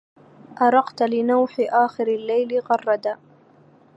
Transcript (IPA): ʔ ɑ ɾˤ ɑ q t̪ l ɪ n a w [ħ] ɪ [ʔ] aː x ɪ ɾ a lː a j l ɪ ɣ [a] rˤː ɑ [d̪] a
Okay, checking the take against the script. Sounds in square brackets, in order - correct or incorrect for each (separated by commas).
correct, correct, incorrect, correct